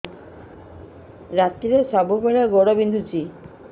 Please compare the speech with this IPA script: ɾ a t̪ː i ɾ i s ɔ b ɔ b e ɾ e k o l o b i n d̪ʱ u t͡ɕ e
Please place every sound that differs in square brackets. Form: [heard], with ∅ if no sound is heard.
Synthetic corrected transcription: ɾ a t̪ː i ɾ [e] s ɔ b [u] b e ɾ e [ɡ] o [ɽ] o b i n d̪ʱ u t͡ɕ [i]